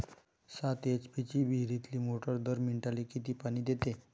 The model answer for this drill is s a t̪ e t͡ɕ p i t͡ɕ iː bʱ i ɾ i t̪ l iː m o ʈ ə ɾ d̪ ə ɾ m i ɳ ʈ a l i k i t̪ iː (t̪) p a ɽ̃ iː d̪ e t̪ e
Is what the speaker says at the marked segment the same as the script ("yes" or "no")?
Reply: no